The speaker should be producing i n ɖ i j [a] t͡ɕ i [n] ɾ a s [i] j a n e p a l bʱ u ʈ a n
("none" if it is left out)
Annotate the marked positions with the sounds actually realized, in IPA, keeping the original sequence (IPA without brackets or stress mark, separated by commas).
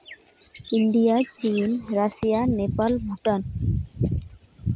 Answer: a, n, i